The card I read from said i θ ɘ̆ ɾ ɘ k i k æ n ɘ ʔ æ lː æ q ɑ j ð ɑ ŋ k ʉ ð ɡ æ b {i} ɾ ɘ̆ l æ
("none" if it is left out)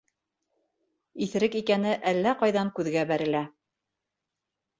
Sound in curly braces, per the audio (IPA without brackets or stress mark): æ